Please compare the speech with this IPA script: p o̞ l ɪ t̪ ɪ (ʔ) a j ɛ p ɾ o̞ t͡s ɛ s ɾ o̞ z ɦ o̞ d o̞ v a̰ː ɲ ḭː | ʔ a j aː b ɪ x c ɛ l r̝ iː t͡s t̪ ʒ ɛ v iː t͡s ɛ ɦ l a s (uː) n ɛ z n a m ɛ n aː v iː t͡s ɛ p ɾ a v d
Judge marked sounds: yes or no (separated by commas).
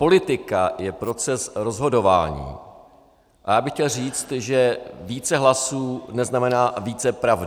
no, yes